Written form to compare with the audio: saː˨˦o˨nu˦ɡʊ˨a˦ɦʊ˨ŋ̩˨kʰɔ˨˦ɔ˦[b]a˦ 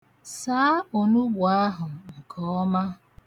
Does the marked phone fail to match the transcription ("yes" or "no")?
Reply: yes